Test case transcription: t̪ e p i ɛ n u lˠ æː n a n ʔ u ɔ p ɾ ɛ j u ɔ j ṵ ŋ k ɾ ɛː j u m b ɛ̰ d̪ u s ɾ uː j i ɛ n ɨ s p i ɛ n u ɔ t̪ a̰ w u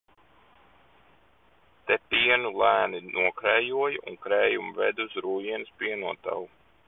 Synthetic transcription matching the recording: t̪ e p i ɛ n u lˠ æː n i n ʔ u ɔ k ɾ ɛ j u ɔ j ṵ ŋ k ɾ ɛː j u m v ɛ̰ d̪ u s ɾ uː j i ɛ n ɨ s p i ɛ n u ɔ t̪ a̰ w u